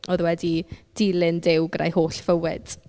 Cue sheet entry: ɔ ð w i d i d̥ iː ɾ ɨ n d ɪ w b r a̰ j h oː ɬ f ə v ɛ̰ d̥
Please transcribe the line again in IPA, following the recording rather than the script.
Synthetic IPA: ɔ ð w ɛ d i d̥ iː l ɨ n d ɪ w ɡ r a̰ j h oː ɬ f ə w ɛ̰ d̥